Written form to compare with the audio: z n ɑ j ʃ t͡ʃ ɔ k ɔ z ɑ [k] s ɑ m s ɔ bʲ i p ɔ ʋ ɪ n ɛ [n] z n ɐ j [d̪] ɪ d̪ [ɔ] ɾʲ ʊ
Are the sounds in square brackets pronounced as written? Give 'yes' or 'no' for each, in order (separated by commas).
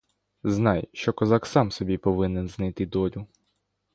yes, yes, no, yes